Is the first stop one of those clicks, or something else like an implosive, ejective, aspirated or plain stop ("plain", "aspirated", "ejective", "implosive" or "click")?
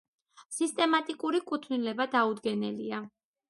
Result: ejective